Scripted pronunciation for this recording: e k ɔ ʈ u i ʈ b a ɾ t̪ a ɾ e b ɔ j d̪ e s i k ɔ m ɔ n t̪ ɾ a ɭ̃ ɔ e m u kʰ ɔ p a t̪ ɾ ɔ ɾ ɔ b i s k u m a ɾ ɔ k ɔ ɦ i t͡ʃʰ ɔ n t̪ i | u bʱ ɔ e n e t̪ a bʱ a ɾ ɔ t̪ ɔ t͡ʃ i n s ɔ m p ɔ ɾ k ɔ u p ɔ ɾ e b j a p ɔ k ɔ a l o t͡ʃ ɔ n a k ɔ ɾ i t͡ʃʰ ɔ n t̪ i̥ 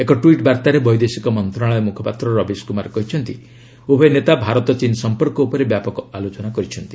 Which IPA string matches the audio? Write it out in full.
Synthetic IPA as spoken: e k ɔ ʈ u i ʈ b a ɾ t̪ a ɾ e b ɔ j d̪ e s i k ɔ m ɔ n t̪ ɾ a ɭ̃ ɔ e m u kʰ ɔ p a t̪ ɾ ɔ ɾ ɔ b i s k u m a ɾ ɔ k ɔ ɦ i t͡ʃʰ ɔ n t̪ i | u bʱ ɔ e n e t̪ a bʱ a ɾ ɔ t̪ ɔ t͡ʃ i n s ɔ m p ɔ ɾ k ɔ u p ɔ ɾ e b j a p ɔ k ɔ a l o t͡ʃ ɔ n a k ɔ ɾ i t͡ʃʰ ɔ n t̪ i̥

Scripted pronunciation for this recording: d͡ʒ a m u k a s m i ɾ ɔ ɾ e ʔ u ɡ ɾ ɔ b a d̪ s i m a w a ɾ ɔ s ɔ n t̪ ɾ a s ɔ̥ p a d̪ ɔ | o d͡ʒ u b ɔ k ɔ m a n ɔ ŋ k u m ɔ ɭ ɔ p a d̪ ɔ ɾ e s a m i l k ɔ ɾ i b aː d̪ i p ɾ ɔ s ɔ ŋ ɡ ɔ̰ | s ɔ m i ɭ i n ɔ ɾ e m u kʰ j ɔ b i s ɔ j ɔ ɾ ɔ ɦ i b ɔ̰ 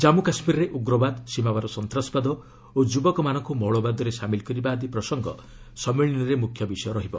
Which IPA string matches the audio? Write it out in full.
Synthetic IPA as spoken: d͡ʒ a m u k a s m i ɾ ɔ ɾ e ʔ u ɡ ɾ ɔ b a d̪ s i m a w a ɾ ɔ s ɔ n t̪ ɾ a s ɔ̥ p a d̪ ɔ | o d͡ʒ u b ɔ k ɔ m a n ɔ ŋ k u m ɔ ɭ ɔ b a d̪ ɔ ɾ e s a m i l k ɔ ɾ i b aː d̪ i p ɾ ɔ s ɔ ŋ ɡ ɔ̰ | s ɔ m i ɭ i n ɔ ɾ e m u kʰ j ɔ b i s ɔ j ɔ ɾ ɔ ɦ i b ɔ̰

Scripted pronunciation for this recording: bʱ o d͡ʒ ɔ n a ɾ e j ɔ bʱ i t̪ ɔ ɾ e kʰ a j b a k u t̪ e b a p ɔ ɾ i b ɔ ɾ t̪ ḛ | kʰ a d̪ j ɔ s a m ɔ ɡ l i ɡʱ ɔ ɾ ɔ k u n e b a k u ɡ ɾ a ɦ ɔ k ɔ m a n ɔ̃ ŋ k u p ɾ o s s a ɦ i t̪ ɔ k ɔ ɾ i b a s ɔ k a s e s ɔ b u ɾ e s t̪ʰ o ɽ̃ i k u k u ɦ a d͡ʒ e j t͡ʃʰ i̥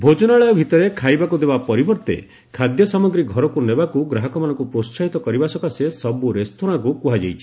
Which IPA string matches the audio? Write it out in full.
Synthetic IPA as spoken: bʱ o d͡ʒ ɔ n a ɭ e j ɔ bʱ i t̪ ɔ ɾ e kʰ a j b a k u d̪ e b a p ɔ ɾ i b ɔ ɾ t̪ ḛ | kʰ a d̪ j ɔ s a m ɔ ɡ ɾ i ɡʱ ɔ ɾ ɔ k u n e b a k u ɡ ɾ a ɦ ɔ k ɔ m a n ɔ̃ ŋ k u p ɾ o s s a ɦ i t̪ ɔ k ɔ ɾ i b a s ɔ k a s e s ɔ b u ɾ e s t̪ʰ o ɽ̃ a k u k u ɦ a d͡ʒ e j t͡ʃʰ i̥

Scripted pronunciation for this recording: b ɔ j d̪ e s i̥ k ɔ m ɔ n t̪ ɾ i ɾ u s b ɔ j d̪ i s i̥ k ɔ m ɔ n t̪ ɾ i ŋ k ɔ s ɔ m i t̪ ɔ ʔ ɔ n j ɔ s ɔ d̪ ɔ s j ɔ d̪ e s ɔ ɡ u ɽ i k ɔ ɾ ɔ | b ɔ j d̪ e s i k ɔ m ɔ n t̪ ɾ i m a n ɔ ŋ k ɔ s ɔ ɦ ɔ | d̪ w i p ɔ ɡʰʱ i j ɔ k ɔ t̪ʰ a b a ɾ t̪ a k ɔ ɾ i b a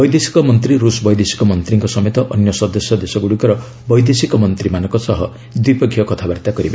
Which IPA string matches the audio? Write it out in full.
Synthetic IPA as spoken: b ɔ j d̪ e s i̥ k ɔ m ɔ n t̪ ɾ i ɾ u s b ɔ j d̪ e s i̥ k ɔ m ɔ n t̪ ɾ i ŋ k ɔ s ɔ m e t̪ ɔ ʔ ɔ n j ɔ s ɔ d̪ ɔ s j ɔ d̪ e s ɔ ɡ u ɽ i k ɔ ɾ ɔ | b ɔ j d̪ e s i k ɔ m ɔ n t̪ ɾ i m a n ɔ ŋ k ɔ s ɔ ɦ ɔ | d̪ w i p ɔ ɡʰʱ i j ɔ k ɔ t̪ʰ a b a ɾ t̪ a k ɔ ɾ i b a

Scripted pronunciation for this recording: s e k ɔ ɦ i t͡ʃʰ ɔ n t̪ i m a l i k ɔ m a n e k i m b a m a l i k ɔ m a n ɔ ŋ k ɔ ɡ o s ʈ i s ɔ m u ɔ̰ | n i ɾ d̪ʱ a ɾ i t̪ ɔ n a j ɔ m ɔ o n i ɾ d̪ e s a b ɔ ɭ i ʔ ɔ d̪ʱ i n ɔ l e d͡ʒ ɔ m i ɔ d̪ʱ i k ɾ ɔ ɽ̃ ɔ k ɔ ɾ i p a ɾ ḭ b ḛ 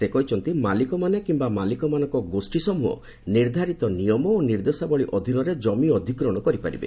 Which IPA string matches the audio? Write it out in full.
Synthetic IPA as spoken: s e k ɔ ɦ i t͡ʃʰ ɔ n t̪ i m a l i k ɔ m a n e k i m b a m a l i k ɔ m a n ɔ ŋ k ɔ ɡ o s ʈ i s ɔ m u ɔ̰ | n i ɾ d̪ʱ a ɾ i t̪ ɔ n i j ɔ m ɔ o n i ɾ d̪ e s a b ɔ ɭ i ʔ ɔ d̪ʱ i n ɔ ɾ e d͡ʒ ɔ m i ɔ d̪ʱ i k ɾ ɔ ɽ̃ ɔ k ɔ ɾ i p a ɾ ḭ b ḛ

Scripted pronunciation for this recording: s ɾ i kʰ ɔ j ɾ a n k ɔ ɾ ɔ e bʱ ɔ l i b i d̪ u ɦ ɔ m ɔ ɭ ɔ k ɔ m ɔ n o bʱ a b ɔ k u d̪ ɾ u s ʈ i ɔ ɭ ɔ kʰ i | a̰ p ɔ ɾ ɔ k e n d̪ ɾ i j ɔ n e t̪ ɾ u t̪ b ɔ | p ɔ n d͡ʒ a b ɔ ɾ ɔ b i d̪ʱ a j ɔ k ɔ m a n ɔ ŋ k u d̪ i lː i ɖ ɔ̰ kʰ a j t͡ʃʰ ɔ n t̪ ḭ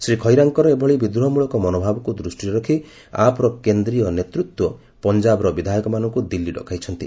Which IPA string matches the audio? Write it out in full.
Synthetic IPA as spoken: s ɾ i kʰ ɔ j ɾ a ŋ k ɔ ɾ ɔ e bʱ ɔ ɭ i b i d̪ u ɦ ɔ m u ɭ ɔ k ɔ m ɔ n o bʱ a b ɔ k u d̪ ɾ u s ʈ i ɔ ɾ ɔ kʰ i | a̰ p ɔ ɾ ɔ k e n d̪ ɾ i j ɔ n e t̪ ɾ u t̪ w ɔ | p ɔ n d͡ʒ a b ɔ ɾ ɔ b i d̪ʱ a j ɔ k ɔ m a n ɔ ŋ k u d̪ i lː i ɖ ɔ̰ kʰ a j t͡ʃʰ ɔ n t̪ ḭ

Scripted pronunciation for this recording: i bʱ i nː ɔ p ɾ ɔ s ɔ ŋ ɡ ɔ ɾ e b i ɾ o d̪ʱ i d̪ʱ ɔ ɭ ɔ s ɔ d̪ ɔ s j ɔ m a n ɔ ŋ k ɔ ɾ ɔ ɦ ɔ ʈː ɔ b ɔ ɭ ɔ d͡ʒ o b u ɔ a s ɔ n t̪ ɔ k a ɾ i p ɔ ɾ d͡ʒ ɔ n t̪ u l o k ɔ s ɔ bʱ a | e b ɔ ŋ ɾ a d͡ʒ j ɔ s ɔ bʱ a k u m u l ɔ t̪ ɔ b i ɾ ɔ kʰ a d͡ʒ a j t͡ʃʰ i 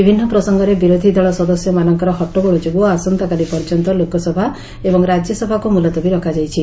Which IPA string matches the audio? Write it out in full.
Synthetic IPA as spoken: i bʱ i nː ɔ p ɾ ɔ s ɔ ŋ ɡ ɔ ɾ e b i ɾ o d̪ʱ i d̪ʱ ɔ ɭ ɔ s ɔ d̪ ɔ s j ɔ m a n ɔ ŋ k ɔ ɾ ɔ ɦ ɔ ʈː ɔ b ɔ ɭ ɔ d͡ʒ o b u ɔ a s ɔ n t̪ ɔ k a l i p ɔ ɾ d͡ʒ ɔ n t̪ ɔ l o k ɔ s ɔ bʱ a | e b ɔ ŋ ɾ a d͡ʒ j ɔ s ɔ bʱ a k u m u l ɔ t̪ ɔ b i ɾ ɔ kʰ a d͡ʒ a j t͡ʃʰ i

